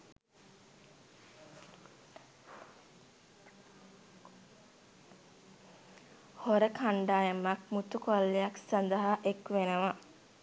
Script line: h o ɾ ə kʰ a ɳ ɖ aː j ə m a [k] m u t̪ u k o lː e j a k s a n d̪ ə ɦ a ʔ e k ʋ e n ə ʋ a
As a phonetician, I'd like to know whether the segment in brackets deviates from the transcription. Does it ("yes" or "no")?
no